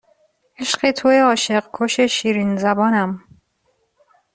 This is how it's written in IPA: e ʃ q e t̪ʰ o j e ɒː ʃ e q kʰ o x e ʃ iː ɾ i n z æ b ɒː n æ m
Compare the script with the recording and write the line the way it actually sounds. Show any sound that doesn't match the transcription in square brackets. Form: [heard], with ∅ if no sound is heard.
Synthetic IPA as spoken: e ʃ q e t̪ʰ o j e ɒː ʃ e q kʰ o [ʃ] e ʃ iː ɾ i n z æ b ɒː n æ m